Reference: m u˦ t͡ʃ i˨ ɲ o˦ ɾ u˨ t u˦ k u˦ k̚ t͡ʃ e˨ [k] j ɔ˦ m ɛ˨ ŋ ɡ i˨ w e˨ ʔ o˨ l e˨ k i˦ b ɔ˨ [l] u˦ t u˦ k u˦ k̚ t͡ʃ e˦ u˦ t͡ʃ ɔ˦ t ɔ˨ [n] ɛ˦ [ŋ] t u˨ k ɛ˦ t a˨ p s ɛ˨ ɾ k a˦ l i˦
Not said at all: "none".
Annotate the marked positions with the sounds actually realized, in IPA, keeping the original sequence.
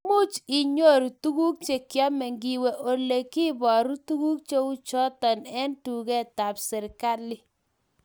k, ɾ, n, n

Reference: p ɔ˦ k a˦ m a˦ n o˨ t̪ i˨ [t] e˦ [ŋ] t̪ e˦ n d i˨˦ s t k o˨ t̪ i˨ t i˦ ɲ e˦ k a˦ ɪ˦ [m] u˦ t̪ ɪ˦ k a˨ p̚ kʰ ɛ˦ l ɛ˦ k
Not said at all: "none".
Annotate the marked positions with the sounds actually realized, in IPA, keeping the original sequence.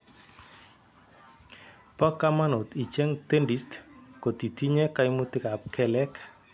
t͡ʃ, ŋ, m

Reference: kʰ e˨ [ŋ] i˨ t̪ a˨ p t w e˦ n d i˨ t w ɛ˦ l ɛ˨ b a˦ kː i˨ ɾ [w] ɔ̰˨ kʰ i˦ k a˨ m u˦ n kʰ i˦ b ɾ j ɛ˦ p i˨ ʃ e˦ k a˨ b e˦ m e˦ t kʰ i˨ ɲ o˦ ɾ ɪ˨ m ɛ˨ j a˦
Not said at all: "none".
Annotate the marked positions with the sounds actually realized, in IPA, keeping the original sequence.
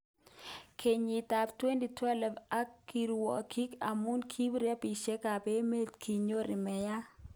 ɲ, w

